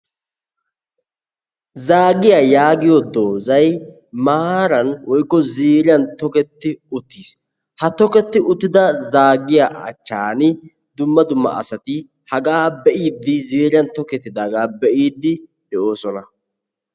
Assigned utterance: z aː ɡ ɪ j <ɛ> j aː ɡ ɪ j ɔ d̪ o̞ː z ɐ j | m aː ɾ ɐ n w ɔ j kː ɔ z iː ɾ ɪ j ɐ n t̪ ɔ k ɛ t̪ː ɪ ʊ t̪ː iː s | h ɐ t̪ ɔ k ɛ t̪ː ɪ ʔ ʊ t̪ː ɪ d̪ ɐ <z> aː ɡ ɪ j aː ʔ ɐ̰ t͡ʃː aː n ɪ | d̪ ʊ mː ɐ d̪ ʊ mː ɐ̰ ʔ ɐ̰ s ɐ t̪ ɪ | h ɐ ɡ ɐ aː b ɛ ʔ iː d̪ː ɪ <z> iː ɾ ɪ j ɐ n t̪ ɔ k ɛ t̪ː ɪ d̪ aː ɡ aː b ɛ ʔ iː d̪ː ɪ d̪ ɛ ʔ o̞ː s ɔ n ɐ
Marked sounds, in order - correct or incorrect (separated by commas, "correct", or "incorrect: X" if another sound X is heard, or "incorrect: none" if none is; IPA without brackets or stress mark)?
incorrect: a, correct, correct